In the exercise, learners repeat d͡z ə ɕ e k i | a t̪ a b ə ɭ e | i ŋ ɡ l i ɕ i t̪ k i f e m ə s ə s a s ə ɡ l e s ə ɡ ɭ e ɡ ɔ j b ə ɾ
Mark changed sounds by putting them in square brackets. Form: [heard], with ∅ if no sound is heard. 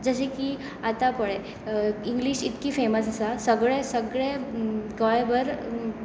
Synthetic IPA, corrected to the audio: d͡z ə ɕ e k i | a t̪ a [p] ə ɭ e | i ŋ ɡ l i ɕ i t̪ k i f e m ə s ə s a s ə ɡ [ɭ] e s ə ɡ ɭ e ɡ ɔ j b ə ɾ